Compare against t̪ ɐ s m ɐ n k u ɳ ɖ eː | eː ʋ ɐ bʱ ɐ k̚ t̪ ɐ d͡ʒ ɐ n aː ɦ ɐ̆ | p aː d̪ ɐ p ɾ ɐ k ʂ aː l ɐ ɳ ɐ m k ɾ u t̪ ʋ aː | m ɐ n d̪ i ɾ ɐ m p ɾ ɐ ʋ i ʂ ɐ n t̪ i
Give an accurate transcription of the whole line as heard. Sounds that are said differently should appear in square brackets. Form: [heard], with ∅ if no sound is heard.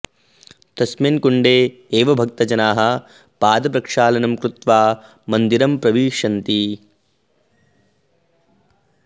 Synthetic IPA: t̪ ɐ s m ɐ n k u ɳ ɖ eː | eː ʋ ɐ bʱ ɐ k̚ t̪ ɐ d͡ʒ ɐ n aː ɦ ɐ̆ | p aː d̪ ɐ p ɾ ɐ k ʂ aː l ɐ [n] ɐ m k ɾ u t̪ ʋ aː | m ɐ n d̪ i ɾ ɐ m p ɾ ɐ ʋ [iː] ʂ ɐ n t̪ i